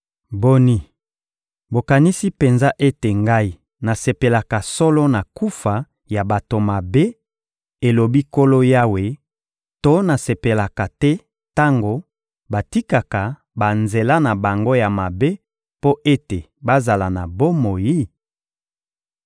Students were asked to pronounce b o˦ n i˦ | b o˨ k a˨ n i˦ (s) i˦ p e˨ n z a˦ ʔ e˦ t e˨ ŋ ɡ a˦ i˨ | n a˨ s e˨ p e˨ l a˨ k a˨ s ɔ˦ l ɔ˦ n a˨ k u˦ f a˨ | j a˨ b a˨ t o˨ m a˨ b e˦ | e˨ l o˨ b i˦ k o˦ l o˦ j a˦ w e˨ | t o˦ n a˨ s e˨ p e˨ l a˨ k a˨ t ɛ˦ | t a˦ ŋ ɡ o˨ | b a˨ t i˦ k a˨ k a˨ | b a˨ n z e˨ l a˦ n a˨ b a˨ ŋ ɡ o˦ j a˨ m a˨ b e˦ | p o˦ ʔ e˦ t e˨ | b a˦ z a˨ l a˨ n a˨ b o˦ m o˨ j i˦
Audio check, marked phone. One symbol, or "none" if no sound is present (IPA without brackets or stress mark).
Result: s